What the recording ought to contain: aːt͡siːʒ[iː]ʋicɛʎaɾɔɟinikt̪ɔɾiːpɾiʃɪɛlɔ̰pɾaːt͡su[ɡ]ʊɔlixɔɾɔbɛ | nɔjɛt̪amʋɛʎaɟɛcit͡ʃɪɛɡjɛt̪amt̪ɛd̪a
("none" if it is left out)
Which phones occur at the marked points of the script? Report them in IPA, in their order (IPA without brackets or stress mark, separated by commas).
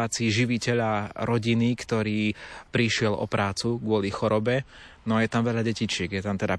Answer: i, ɡ